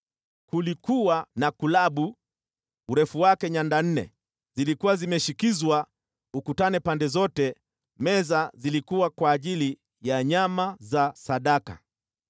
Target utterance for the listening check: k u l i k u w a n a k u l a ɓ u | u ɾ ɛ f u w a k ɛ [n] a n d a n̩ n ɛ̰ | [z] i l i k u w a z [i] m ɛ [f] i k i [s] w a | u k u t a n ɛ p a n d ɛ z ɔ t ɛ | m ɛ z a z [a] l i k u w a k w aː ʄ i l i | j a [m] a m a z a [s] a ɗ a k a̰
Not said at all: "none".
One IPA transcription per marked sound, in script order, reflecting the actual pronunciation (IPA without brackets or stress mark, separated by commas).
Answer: ɲ, z, i, ʃ, z, i, ɲ, s